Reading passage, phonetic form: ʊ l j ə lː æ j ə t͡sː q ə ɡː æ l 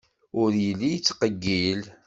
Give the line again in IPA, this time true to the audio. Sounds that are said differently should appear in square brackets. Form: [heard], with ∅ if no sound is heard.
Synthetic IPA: ʊ [ɾ] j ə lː [i] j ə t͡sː q ə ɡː [i] l